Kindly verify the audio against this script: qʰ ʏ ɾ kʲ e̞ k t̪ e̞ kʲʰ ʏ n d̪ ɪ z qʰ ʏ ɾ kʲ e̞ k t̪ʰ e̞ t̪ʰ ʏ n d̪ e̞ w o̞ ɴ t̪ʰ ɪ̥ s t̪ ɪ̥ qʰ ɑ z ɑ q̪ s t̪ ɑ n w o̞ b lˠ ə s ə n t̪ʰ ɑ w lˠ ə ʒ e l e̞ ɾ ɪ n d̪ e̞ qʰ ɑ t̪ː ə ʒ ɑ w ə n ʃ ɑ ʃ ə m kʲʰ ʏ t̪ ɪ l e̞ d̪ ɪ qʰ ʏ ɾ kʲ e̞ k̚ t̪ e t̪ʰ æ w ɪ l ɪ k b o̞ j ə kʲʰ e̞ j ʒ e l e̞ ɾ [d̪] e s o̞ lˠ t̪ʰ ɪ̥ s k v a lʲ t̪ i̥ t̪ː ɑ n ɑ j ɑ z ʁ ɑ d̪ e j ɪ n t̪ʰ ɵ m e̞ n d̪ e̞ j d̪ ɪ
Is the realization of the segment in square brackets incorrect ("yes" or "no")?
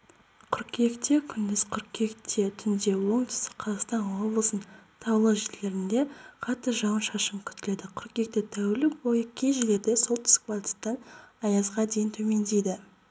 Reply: no